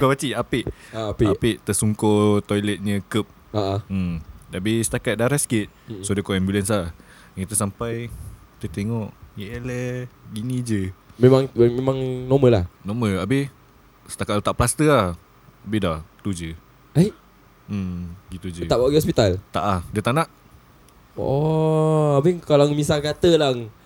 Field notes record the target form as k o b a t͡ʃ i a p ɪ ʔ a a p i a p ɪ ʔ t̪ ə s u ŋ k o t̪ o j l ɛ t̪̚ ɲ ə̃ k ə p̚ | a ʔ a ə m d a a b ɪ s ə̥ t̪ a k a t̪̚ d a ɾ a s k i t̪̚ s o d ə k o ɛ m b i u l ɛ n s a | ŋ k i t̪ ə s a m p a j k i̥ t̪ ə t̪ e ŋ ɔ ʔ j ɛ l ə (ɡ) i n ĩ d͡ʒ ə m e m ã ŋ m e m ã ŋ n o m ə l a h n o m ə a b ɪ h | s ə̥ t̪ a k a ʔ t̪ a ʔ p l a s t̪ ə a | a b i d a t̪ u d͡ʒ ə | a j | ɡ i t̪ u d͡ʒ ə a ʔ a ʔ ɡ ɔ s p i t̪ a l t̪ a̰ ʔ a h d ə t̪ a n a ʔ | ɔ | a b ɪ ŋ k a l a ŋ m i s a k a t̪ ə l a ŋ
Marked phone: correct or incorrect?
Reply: correct